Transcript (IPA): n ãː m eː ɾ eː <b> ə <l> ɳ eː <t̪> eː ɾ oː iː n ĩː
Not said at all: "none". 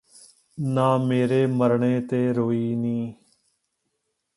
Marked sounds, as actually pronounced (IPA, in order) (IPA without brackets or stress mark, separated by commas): m, ɾ, t̪